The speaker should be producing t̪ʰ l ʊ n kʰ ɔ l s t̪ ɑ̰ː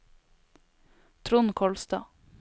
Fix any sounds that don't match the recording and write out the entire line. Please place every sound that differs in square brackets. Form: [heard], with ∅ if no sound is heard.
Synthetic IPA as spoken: t̪ʰ [ɾ] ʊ n kʰ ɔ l s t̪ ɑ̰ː